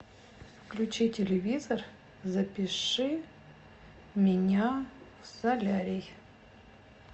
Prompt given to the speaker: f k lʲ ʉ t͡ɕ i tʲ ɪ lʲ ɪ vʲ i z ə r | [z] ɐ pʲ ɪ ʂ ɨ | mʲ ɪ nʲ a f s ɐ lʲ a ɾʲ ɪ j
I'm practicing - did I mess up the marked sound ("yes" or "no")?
no